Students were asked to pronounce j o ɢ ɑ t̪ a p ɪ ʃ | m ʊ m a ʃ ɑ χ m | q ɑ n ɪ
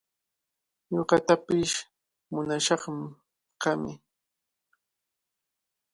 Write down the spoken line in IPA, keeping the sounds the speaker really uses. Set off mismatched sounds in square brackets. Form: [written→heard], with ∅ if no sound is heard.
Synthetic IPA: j o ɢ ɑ t̪ a p ɪ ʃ | m ʊ [m→n] a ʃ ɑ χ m | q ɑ [n→m] ɪ